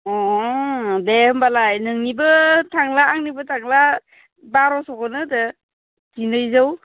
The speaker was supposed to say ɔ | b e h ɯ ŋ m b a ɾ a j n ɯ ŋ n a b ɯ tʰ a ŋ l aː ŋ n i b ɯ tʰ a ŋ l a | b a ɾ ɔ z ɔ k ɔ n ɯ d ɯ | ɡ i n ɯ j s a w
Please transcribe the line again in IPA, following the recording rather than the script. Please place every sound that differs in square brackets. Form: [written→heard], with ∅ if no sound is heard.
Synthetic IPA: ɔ | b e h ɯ [ŋ→∅] m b a [ɾ→l] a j n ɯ ŋ n [a→i] b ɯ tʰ a ŋ l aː ŋ n i b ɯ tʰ a ŋ l a | b a ɾ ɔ [z→s] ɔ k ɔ n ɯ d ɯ | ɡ i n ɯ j [s→z] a w